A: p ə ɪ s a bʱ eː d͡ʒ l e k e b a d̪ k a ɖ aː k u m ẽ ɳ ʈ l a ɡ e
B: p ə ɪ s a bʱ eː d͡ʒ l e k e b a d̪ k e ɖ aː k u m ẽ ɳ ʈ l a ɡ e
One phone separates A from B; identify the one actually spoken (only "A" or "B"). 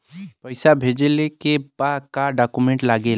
A